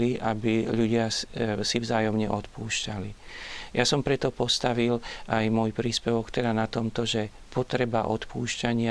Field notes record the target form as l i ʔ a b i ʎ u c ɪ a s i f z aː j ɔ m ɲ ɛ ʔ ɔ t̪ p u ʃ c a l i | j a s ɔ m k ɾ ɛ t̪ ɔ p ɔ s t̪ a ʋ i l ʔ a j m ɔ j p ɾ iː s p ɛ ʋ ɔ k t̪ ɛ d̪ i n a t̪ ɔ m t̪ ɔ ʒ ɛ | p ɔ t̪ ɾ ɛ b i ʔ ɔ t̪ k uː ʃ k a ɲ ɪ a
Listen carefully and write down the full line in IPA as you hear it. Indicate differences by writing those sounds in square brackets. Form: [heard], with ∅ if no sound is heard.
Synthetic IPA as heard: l i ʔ a b i ʎ u [ɟ] ɪ a s i [v] z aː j ɔ m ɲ ɛ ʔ ɔ t̪ p [uː] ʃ c a l i | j a s ɔ m [p] ɾ ɛ t̪ ɔ p ɔ s t̪ a ʋ i l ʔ a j m ɔ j p ɾ iː s p ɛ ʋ ɔ k t̪ ɛ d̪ [a] n a t̪ ɔ m t̪ ɔ ʒ ɛ | p ɔ t̪ ɾ ɛ b [a] ʔ ɔ t̪ [p] uː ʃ [c] a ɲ ɪ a